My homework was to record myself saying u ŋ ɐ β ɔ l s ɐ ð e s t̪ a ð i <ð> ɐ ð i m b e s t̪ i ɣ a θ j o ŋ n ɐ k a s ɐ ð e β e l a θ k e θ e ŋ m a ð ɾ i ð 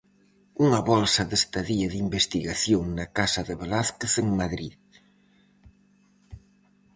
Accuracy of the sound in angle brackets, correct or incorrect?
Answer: incorrect